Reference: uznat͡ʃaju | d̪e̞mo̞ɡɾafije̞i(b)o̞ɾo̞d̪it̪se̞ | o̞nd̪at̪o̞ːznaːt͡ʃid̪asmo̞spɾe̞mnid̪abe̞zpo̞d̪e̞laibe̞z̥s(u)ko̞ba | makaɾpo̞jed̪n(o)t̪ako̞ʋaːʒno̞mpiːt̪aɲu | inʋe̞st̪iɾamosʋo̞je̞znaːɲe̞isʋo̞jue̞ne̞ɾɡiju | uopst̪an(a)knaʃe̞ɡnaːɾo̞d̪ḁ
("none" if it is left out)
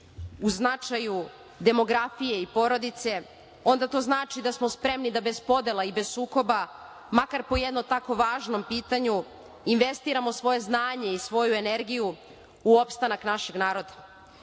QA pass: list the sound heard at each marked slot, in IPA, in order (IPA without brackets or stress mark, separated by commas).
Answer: p, uː, o, a